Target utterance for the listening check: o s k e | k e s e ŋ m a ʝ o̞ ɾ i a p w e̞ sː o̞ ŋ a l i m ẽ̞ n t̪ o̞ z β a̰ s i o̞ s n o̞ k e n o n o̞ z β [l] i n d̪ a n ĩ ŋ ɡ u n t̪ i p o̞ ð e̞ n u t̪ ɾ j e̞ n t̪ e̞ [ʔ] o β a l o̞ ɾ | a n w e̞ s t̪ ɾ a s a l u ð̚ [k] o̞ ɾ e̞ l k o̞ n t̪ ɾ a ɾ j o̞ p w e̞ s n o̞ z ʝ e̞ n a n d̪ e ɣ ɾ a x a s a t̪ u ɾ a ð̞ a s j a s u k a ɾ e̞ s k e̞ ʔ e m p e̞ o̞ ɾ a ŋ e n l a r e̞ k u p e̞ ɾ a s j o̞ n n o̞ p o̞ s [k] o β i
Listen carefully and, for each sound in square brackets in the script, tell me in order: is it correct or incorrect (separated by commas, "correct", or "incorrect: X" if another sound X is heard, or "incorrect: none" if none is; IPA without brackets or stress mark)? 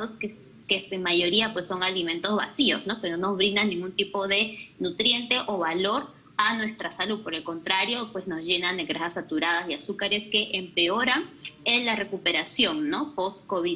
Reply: incorrect: ɾ, correct, incorrect: p, correct